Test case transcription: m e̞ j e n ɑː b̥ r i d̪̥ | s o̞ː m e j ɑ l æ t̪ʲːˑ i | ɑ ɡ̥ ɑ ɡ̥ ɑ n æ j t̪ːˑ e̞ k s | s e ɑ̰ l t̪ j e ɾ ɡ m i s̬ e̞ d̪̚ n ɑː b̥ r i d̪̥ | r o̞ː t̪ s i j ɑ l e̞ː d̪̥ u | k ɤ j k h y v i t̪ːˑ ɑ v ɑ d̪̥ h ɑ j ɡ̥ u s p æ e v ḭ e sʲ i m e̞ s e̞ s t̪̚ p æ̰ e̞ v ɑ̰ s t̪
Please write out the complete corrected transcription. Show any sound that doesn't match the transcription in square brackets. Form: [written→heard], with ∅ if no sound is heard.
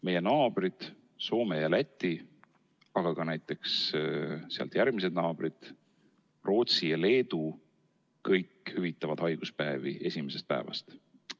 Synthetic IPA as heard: m e̞ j e n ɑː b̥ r i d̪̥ | s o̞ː m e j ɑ l æ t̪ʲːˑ i | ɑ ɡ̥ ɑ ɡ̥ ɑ n æ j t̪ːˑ e̞ k s | s e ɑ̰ l t̪ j [e→æ] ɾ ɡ m i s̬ e̞ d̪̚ n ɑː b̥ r i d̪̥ | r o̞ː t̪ s i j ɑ l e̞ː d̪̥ u | k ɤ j k h y v i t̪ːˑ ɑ v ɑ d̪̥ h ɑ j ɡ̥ u s p æ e v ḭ e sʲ i m e̞ s e̞ s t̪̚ p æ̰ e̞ v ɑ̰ s t̪